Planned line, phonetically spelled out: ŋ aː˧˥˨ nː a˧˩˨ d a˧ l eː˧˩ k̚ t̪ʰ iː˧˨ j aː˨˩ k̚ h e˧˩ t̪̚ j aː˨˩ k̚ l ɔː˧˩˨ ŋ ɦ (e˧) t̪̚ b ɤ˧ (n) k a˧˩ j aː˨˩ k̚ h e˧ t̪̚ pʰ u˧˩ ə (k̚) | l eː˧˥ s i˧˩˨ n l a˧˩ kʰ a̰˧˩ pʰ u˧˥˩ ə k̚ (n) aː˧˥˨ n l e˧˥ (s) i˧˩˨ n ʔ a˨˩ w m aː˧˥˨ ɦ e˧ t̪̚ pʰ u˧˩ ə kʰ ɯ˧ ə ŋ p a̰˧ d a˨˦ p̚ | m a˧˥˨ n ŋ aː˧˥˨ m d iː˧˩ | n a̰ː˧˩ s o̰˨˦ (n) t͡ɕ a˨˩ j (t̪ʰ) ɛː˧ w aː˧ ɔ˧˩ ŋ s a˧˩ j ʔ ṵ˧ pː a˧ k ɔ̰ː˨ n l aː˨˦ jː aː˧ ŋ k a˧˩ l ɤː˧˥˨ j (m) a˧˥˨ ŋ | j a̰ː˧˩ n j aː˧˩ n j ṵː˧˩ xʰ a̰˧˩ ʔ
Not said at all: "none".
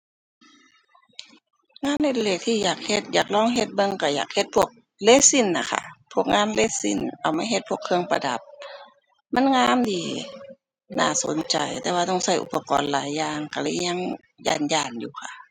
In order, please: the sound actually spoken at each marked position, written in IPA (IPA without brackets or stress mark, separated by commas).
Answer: e˧, ŋ, k̚, ŋ, s, n, t̪, ɲ